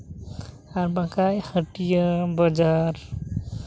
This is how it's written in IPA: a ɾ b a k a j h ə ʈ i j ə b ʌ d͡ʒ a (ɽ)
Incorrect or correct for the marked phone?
incorrect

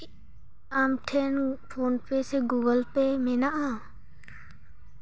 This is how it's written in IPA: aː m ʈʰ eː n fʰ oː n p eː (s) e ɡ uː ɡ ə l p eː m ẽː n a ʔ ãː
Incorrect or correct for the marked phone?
correct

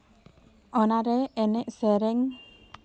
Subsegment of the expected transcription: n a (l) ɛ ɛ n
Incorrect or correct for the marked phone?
incorrect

